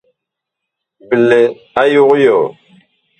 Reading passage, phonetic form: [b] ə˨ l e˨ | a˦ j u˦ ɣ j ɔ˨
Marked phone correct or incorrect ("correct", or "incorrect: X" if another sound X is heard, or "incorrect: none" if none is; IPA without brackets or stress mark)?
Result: correct